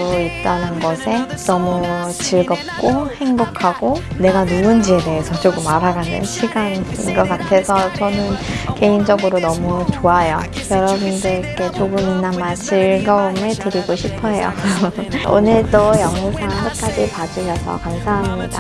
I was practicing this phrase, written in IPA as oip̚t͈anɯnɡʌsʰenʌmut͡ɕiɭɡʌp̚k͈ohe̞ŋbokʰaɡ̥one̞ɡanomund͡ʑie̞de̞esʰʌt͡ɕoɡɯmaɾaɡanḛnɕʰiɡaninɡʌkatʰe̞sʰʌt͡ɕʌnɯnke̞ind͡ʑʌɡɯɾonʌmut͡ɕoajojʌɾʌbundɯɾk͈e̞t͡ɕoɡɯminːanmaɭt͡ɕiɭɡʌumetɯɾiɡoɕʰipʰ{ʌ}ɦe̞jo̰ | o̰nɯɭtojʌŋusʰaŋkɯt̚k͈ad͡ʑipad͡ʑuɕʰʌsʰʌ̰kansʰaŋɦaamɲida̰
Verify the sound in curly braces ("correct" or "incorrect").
correct